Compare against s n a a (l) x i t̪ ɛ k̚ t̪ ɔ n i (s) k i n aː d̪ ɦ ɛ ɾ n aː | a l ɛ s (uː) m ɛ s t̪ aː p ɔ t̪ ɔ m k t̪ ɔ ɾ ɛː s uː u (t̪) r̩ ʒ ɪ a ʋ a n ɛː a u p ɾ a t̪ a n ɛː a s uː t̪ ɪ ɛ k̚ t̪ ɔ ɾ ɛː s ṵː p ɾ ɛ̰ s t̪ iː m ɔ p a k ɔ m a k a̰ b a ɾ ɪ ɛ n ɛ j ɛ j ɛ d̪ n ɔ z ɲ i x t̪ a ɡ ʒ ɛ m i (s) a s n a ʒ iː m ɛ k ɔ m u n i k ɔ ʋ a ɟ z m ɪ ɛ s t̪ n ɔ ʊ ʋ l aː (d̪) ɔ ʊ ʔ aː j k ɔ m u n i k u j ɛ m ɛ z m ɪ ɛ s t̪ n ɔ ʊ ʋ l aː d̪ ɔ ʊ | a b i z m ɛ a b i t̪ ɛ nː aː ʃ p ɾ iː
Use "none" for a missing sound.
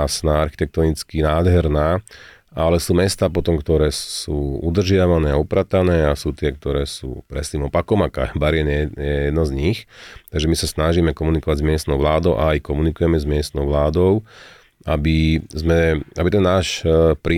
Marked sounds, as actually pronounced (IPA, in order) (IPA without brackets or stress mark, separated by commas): ɾ, t͡s, uː, d̪, s, d̪